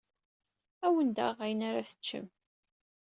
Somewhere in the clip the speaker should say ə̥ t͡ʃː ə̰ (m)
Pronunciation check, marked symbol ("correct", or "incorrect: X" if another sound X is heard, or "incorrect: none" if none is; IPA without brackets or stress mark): correct